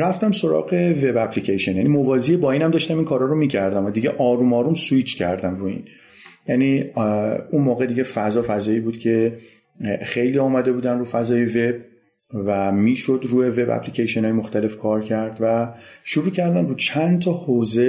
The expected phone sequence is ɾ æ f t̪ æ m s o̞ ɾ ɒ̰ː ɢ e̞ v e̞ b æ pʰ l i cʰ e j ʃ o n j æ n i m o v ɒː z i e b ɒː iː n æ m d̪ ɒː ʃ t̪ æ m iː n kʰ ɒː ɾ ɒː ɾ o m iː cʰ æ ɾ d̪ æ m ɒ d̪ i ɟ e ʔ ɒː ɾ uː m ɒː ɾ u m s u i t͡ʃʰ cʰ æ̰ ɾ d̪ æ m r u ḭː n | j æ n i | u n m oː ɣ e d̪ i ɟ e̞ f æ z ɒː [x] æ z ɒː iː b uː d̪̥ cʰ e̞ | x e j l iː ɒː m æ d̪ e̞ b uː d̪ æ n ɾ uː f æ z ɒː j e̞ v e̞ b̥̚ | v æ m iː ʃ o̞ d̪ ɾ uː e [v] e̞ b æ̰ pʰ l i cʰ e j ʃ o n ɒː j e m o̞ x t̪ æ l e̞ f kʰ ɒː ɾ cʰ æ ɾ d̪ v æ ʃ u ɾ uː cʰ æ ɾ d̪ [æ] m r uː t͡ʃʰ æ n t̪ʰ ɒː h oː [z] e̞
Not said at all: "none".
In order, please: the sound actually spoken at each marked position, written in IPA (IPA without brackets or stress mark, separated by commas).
f, v, æ, z